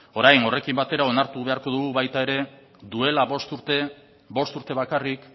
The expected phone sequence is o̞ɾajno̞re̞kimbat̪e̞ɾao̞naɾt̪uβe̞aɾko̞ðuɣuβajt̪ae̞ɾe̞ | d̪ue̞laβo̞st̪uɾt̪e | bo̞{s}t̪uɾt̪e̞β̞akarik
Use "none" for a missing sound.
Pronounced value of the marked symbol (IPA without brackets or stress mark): s